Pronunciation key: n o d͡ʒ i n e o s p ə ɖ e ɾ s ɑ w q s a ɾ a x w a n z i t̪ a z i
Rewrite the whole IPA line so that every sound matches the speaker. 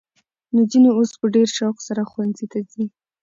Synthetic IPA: n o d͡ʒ i n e o s p ə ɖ e ɾ ʃ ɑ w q s a ɾ a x w a n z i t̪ a z i